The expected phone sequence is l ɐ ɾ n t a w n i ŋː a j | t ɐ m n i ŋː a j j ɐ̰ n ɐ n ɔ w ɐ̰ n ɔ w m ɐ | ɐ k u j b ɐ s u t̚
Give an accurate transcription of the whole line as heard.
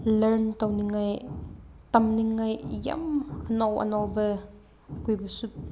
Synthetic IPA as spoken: l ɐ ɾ n t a w n i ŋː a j | t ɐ m n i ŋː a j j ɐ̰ m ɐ n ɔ w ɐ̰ n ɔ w b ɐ | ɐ k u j b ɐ s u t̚